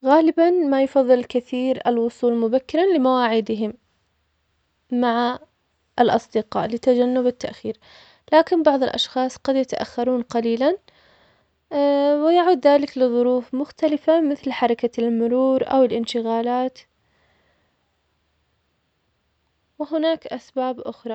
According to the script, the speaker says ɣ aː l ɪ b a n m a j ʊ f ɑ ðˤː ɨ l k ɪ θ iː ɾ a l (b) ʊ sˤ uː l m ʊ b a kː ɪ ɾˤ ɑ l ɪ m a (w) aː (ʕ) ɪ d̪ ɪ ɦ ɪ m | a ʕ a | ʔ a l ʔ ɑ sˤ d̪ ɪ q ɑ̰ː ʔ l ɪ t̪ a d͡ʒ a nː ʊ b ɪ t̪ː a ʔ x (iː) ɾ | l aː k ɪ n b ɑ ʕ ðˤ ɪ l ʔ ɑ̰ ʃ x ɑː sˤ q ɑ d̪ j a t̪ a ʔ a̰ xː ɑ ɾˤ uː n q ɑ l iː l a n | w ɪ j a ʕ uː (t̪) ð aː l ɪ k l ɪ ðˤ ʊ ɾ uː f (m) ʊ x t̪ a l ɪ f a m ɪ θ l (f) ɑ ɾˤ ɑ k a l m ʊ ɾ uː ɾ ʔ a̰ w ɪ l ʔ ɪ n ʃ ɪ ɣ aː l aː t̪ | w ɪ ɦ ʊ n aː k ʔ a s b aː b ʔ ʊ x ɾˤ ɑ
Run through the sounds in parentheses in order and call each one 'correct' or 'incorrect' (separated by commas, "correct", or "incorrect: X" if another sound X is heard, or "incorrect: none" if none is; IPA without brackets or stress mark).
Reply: incorrect: w, correct, correct, correct, incorrect: d̪, correct, incorrect: ħ